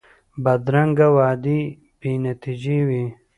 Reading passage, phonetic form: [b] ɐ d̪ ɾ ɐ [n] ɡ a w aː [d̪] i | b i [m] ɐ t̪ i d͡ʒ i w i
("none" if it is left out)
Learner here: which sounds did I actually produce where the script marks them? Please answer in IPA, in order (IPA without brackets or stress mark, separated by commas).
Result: b, ŋ, d̪, n